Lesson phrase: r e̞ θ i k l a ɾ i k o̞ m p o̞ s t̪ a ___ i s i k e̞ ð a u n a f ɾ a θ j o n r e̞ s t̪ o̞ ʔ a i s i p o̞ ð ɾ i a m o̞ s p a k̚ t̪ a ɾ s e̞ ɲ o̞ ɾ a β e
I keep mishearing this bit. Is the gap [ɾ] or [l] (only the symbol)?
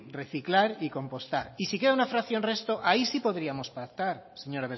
ɾ